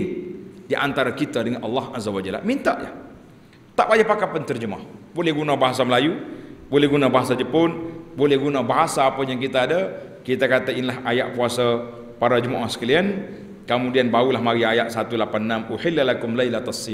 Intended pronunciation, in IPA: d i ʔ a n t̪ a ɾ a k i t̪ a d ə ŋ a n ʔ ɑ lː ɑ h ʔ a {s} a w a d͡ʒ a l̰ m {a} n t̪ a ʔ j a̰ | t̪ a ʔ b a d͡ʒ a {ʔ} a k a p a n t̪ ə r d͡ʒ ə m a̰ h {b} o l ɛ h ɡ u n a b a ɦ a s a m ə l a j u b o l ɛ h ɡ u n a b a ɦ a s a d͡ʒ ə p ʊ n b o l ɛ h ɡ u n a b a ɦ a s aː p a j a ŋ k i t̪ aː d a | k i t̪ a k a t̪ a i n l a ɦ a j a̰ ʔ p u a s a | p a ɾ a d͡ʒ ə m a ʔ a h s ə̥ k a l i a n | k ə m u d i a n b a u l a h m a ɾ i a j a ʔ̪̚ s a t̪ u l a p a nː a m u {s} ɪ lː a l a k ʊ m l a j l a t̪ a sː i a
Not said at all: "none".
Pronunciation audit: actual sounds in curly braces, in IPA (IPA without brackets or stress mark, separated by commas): z, i, p, b, ħ